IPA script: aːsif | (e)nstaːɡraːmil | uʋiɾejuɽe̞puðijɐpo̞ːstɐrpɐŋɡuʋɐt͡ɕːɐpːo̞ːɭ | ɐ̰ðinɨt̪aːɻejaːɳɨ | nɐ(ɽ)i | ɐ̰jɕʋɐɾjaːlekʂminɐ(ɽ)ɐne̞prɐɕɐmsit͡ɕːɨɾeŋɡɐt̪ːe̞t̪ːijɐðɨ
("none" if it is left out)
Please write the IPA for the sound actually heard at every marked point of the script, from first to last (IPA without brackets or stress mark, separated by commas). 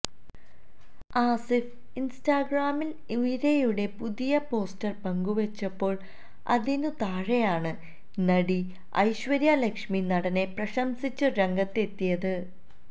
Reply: i, ɽ, ɽ